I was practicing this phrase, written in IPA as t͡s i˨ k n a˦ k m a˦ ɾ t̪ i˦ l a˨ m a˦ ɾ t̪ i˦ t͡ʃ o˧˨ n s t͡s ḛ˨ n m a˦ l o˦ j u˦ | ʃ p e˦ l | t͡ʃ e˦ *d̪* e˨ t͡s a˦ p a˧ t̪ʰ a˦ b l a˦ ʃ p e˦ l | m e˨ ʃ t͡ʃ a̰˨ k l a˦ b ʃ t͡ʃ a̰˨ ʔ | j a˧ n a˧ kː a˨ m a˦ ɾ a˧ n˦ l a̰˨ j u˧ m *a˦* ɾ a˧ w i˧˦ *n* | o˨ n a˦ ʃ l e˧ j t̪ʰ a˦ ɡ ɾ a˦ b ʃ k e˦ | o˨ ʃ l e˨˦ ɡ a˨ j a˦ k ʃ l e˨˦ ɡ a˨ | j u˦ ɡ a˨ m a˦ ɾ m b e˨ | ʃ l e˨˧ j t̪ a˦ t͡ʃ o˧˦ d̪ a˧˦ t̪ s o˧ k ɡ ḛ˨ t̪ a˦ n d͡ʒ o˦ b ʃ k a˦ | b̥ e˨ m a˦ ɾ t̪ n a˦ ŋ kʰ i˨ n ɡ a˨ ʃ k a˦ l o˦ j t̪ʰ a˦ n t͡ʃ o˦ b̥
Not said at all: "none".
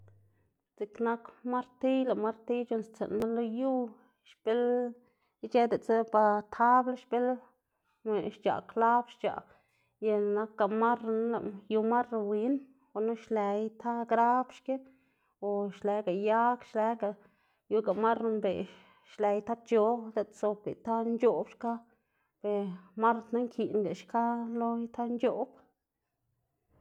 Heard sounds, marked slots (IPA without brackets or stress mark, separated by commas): d̪, a˦, n